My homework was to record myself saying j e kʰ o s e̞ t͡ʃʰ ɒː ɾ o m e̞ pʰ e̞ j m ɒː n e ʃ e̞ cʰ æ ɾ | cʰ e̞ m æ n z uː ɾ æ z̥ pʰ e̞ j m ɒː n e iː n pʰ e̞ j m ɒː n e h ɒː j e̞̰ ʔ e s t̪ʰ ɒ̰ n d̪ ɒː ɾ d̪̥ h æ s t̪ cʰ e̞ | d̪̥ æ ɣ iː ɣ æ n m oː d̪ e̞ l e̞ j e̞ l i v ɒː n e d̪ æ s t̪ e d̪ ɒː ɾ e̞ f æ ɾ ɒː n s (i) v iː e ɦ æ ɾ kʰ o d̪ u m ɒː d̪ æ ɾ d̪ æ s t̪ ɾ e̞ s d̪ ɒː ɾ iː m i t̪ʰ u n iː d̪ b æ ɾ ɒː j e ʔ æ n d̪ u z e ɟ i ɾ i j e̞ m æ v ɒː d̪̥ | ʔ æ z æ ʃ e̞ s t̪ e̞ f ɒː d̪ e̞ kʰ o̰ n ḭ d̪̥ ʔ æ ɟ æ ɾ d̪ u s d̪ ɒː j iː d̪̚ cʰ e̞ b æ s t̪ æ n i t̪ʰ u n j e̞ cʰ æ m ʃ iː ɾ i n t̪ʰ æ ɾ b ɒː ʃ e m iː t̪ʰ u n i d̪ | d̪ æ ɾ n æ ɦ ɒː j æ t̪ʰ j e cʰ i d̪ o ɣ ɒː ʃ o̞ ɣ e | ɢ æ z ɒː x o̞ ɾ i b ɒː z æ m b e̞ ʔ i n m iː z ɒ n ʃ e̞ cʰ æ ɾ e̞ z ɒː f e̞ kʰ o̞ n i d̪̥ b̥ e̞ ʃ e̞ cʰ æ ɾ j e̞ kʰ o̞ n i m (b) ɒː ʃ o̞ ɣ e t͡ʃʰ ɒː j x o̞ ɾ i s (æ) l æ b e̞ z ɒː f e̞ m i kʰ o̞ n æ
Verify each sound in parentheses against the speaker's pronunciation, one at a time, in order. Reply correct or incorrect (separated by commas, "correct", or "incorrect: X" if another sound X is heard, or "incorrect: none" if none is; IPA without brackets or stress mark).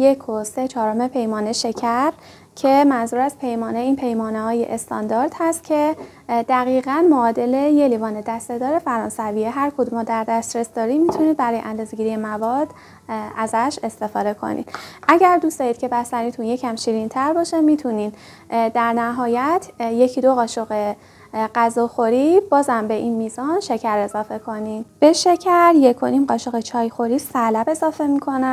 incorrect: æ, incorrect: ɢ, correct